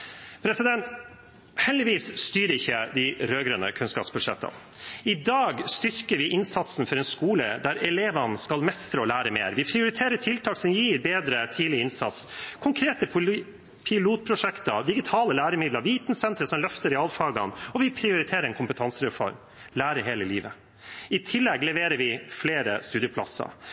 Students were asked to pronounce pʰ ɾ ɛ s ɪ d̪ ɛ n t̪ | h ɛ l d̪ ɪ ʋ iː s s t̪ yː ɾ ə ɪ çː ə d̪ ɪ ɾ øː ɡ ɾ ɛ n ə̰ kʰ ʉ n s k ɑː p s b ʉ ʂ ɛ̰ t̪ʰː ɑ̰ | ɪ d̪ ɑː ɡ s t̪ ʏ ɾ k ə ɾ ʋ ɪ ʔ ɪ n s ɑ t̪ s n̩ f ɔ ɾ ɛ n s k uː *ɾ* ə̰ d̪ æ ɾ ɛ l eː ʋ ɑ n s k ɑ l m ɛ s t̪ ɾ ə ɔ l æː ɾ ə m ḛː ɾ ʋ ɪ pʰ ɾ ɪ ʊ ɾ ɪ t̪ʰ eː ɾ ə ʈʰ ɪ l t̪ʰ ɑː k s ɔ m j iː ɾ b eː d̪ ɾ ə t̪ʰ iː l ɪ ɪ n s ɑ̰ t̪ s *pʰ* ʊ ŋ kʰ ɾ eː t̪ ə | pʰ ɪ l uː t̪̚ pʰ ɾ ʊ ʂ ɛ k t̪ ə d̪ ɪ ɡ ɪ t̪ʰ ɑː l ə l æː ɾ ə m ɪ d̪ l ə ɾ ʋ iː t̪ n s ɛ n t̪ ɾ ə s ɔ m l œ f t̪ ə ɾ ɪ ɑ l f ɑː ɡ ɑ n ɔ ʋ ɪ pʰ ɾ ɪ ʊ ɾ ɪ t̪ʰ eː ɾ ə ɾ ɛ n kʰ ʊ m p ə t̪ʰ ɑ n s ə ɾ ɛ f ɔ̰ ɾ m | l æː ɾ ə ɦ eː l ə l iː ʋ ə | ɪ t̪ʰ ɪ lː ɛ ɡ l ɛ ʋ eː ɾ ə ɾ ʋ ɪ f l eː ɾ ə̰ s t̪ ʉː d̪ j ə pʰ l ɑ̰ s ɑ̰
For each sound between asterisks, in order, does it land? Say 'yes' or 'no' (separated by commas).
no, no